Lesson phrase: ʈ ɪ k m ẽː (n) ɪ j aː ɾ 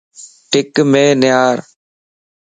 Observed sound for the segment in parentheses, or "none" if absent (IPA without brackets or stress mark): n